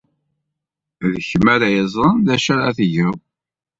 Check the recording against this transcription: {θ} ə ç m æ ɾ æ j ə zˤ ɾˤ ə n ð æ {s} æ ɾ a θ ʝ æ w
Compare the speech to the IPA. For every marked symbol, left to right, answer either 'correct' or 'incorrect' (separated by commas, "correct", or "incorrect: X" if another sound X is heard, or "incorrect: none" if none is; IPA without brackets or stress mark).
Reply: incorrect: ð, incorrect: ʃ